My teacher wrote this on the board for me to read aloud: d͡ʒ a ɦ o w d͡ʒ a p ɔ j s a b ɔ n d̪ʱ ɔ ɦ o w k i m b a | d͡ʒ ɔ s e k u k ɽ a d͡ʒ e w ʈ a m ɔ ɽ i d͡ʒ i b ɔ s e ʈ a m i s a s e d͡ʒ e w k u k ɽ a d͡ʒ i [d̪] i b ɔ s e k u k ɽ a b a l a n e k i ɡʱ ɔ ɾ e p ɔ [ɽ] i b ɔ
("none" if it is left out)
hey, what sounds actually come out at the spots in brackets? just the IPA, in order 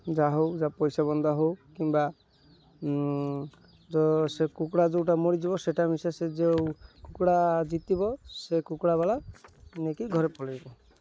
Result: t̪, l

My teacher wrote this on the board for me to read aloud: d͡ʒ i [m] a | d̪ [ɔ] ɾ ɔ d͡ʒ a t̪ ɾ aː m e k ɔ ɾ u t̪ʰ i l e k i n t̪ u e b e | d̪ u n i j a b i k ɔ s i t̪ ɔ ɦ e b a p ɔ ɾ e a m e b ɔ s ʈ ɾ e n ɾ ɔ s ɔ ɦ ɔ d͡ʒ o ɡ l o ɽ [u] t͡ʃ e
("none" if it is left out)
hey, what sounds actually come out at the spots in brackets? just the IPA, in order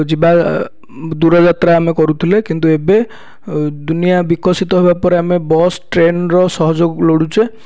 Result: b, u, u

